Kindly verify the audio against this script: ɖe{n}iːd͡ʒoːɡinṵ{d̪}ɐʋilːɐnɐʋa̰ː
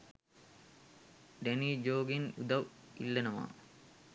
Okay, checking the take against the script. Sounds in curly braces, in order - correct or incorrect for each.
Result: correct, correct

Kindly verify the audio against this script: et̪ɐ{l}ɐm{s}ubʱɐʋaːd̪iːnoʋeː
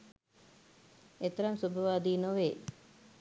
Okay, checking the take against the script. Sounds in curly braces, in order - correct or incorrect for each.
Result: incorrect, correct

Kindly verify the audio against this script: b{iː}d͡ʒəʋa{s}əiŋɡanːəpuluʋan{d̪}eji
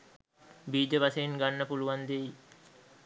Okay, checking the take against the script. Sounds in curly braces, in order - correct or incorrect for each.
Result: correct, correct, correct

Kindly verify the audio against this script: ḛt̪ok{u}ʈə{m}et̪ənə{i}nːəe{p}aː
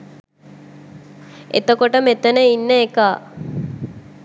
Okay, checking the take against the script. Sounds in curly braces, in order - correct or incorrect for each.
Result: incorrect, correct, correct, incorrect

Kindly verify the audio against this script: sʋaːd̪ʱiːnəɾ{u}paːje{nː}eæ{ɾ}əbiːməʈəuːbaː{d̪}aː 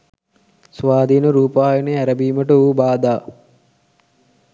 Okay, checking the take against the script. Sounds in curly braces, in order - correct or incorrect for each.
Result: incorrect, incorrect, correct, correct

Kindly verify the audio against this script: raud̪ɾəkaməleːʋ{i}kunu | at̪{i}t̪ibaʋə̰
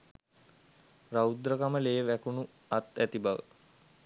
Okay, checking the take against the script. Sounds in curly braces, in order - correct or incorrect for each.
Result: incorrect, incorrect

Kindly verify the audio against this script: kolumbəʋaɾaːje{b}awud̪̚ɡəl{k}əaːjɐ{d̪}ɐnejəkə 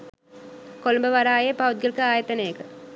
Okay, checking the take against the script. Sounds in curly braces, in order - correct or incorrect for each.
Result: incorrect, correct, incorrect

